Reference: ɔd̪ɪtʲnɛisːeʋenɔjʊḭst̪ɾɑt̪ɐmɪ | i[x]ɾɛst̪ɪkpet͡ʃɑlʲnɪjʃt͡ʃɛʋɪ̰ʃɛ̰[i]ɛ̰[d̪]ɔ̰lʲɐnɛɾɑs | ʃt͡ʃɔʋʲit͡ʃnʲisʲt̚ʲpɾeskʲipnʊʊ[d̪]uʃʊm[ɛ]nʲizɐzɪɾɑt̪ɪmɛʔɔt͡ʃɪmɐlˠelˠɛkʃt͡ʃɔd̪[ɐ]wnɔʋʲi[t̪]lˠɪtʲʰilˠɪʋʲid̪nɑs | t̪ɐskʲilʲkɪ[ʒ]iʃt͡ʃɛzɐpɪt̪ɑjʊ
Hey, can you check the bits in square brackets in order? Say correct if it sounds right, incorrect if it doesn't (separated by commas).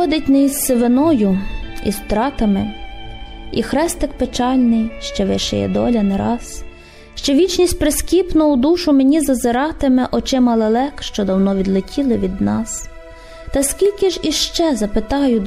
correct, incorrect, correct, correct, incorrect, correct, incorrect, correct